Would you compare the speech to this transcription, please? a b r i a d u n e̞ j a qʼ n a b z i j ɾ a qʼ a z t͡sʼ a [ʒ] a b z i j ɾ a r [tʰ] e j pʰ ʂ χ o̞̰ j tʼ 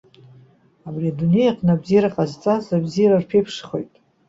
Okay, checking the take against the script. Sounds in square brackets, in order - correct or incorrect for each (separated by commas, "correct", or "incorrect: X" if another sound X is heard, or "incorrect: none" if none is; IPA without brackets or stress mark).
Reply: incorrect: z, incorrect: pʰ